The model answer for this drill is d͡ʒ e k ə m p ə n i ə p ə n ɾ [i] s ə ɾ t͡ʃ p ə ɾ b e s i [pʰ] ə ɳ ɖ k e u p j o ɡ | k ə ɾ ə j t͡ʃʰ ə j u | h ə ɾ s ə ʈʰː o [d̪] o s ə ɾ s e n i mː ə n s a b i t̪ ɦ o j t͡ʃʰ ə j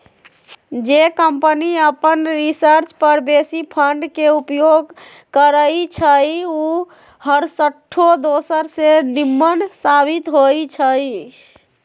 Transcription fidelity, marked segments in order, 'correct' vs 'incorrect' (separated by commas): correct, correct, correct